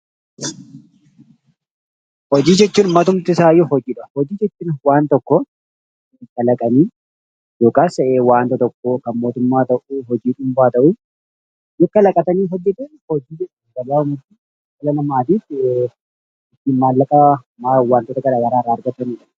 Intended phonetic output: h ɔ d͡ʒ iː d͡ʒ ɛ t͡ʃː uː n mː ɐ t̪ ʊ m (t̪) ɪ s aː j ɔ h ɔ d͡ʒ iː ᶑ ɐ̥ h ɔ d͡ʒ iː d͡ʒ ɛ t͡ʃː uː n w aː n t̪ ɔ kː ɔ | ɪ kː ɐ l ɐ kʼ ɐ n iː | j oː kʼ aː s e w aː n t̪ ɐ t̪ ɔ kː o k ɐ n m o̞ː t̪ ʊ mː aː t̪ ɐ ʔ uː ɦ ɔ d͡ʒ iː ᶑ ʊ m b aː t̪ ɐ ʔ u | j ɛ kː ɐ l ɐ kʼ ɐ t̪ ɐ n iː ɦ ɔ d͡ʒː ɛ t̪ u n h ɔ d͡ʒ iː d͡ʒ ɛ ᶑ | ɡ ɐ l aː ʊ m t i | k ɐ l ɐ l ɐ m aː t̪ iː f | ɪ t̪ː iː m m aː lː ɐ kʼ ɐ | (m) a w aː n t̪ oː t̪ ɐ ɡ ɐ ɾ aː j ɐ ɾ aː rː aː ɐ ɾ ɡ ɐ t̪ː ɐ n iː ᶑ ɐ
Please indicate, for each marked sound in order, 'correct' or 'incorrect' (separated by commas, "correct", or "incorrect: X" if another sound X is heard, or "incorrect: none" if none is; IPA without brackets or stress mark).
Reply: correct, correct